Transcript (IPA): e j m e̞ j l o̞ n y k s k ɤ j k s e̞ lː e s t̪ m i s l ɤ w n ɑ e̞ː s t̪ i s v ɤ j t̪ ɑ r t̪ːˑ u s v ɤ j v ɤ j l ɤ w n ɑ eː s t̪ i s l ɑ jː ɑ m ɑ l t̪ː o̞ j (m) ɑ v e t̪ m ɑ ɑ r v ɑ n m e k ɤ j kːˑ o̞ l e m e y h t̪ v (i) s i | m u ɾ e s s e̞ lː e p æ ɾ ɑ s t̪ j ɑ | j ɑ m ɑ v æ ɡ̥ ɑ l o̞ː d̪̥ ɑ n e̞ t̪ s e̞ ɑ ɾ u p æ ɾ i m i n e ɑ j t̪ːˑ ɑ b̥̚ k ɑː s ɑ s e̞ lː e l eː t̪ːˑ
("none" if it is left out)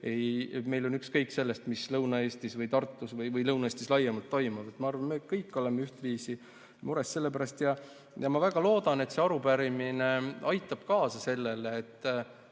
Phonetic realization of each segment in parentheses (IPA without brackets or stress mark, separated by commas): m, iː